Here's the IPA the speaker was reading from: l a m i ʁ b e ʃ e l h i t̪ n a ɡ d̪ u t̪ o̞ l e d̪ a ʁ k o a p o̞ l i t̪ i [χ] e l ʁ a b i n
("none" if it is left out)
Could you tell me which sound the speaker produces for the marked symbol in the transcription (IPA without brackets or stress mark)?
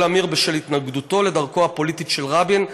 ʃ